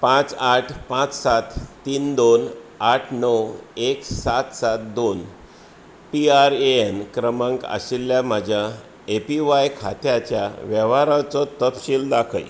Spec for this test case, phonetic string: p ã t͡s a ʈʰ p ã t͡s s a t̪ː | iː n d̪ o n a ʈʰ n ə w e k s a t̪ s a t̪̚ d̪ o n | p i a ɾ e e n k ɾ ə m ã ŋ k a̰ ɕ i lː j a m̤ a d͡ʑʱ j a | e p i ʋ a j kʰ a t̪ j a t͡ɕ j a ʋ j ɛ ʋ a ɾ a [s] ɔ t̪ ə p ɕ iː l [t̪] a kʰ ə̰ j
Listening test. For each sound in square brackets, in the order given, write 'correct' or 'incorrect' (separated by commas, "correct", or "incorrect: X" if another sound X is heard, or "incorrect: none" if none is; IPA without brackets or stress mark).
incorrect: t͡s, incorrect: d̪